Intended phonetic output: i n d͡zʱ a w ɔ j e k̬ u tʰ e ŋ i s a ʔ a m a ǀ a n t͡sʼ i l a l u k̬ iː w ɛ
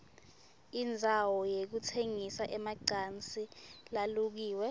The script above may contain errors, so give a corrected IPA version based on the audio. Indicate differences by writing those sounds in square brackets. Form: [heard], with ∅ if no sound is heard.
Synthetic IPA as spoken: i n d͡zʱ a w ɔ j e k̬ u tʰ e ŋ i s a ʔ [ɛ] m a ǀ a n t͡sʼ i l a l u k̬ iː w ɛ